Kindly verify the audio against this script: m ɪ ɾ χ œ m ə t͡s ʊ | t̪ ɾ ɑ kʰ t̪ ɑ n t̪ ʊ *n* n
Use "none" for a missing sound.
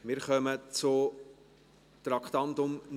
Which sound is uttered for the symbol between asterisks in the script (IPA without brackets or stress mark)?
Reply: m